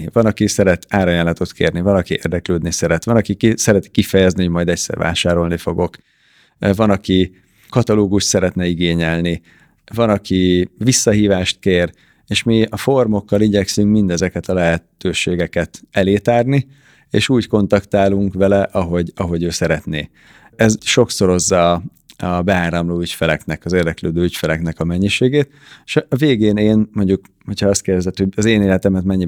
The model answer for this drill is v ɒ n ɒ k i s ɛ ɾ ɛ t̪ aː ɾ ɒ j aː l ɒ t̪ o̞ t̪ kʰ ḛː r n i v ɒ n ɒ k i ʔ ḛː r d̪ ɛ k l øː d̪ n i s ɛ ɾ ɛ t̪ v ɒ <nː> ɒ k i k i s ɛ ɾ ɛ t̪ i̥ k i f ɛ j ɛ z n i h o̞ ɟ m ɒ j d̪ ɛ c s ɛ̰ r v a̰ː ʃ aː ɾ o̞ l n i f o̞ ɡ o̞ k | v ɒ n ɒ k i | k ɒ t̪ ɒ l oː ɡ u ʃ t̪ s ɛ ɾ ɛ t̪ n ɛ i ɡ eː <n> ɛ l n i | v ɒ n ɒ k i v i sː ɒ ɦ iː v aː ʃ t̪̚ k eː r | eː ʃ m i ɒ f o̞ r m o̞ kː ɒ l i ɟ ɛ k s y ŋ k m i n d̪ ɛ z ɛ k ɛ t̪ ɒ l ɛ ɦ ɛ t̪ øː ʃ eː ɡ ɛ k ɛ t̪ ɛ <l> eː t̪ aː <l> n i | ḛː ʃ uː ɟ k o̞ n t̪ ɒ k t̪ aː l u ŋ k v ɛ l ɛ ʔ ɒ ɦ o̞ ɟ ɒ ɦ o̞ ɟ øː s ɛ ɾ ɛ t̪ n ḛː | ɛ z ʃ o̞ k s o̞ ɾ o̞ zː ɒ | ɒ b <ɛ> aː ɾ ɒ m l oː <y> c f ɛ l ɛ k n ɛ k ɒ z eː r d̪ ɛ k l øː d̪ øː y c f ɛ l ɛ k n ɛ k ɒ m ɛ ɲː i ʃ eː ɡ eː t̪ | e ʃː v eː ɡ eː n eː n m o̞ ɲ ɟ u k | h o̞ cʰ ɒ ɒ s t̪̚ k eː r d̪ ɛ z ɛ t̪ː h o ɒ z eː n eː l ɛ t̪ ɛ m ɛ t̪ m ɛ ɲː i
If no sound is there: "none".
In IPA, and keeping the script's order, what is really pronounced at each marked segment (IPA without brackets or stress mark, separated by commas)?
n, ɲ, l, r, ɛ, y